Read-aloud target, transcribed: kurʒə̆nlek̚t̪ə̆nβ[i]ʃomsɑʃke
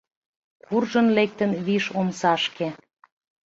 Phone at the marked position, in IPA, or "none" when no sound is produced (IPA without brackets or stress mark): i